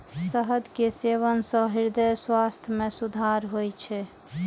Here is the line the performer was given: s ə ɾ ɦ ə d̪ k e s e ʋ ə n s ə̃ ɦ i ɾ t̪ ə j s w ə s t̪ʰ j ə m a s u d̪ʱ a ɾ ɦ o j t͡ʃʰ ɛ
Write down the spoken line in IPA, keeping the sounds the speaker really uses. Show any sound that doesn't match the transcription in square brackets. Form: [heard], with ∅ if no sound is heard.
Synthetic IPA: s ə [∅] ɦ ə d̪ k e s e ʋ ə n s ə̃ ɦ i ɾ [d̪] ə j s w [a] s t̪ʰ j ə m [e] s u d̪ʱ a ɾ ɦ o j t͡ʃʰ ɛ